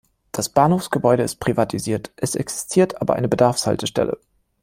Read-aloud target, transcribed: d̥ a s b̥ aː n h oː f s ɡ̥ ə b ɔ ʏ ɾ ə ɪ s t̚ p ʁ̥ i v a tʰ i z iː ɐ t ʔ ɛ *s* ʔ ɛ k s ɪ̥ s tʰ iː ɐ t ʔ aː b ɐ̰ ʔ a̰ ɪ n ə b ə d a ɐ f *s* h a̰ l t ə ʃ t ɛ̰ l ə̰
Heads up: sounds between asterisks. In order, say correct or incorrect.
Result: correct, correct

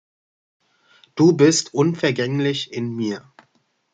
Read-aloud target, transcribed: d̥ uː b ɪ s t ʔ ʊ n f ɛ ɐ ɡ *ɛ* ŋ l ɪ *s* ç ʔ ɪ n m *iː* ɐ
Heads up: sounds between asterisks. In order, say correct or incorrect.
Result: correct, incorrect, correct

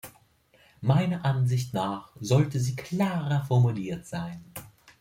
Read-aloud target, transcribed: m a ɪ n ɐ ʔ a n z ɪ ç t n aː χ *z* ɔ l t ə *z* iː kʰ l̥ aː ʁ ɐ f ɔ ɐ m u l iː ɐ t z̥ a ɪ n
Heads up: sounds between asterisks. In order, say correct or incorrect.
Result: correct, correct

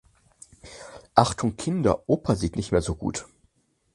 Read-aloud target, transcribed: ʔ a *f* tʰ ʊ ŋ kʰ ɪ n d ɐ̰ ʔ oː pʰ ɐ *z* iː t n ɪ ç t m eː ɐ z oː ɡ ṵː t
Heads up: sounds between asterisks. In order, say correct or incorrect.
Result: incorrect, correct

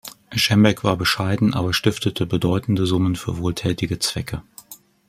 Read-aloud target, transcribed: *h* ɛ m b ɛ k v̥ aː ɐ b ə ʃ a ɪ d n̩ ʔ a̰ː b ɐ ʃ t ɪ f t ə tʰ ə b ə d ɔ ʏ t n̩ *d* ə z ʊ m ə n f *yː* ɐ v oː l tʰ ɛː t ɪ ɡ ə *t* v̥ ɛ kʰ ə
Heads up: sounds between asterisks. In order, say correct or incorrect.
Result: incorrect, correct, correct, incorrect

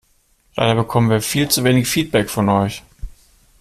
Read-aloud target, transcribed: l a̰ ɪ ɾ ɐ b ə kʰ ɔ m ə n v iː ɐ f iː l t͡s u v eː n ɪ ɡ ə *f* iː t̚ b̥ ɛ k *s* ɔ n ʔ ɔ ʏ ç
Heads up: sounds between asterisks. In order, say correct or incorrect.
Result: correct, incorrect

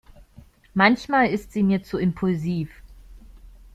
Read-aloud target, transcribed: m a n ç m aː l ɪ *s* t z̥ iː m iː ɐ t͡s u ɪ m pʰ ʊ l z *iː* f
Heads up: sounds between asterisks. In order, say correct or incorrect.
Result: correct, correct

